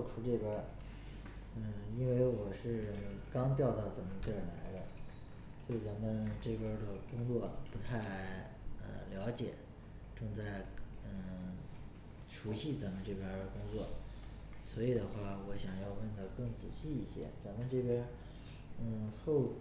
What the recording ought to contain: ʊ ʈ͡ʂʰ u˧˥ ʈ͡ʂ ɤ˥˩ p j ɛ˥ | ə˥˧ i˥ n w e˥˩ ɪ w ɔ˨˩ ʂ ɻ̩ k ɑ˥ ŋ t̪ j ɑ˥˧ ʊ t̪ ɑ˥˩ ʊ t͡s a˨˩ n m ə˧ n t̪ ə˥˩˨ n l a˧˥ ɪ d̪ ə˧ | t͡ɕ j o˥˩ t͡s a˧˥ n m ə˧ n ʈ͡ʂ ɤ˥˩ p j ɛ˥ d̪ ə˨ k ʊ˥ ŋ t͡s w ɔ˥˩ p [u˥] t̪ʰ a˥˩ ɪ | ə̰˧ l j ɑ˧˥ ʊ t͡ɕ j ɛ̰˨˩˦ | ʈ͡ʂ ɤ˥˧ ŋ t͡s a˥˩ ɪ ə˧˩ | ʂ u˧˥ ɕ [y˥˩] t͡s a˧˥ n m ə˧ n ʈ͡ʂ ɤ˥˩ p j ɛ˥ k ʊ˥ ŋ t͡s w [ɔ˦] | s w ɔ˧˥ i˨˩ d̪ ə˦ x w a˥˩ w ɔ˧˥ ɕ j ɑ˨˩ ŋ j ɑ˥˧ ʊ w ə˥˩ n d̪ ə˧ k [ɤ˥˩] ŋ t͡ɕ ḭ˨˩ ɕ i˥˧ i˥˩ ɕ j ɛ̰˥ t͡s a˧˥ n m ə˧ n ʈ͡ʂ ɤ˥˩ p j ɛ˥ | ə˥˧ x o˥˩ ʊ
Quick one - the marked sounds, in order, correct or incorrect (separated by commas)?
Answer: incorrect, incorrect, incorrect, correct